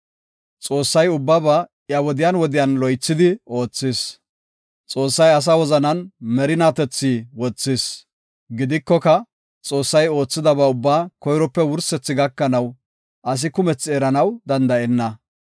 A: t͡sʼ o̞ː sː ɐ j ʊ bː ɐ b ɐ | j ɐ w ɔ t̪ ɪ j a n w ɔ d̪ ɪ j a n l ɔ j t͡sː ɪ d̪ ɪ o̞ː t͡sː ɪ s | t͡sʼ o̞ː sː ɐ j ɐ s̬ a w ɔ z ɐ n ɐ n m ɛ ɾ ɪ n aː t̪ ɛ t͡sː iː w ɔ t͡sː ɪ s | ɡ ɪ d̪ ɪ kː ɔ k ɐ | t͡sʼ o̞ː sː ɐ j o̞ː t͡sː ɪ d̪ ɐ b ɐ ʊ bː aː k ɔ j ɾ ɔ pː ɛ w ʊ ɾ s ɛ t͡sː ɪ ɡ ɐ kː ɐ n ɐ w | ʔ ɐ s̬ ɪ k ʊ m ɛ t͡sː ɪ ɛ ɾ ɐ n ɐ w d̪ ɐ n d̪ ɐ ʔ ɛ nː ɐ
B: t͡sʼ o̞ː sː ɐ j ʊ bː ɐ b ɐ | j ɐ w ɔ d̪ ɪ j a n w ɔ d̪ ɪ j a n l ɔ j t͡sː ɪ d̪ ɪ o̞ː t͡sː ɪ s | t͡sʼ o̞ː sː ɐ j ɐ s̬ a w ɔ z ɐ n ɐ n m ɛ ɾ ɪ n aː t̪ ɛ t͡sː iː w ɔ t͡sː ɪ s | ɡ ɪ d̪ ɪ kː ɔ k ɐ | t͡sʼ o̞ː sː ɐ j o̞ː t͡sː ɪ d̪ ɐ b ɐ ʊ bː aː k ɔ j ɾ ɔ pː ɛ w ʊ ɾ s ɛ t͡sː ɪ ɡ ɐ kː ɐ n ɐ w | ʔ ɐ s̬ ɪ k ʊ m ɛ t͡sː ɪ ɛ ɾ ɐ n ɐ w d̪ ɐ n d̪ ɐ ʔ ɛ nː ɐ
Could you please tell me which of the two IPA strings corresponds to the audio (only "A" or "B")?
B